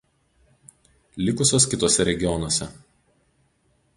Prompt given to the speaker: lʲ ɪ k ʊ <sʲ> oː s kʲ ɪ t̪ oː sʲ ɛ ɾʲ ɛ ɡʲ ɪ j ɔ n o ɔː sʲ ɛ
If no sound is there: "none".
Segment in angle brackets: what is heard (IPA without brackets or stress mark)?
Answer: sʲ